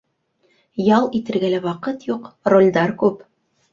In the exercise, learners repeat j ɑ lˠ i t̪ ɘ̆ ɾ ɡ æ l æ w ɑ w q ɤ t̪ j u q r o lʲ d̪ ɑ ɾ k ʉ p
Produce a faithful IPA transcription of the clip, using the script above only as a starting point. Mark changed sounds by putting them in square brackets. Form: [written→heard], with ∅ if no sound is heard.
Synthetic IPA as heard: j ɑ lˠ i t̪ ɘ̆ ɾ ɡ æ l æ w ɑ [w→∅] q ɤ t̪ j u q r o lʲ d̪ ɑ ɾ k ʉ p